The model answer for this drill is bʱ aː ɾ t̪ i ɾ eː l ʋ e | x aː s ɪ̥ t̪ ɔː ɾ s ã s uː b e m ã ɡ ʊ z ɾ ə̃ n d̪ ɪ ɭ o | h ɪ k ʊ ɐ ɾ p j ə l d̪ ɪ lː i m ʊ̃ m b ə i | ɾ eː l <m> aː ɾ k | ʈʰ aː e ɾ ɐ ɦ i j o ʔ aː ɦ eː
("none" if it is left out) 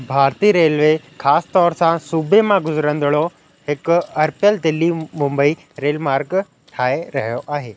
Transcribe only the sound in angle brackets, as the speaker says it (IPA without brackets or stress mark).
m